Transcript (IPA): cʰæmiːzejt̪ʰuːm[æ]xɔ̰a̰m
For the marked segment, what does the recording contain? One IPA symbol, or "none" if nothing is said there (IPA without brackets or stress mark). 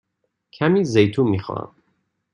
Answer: i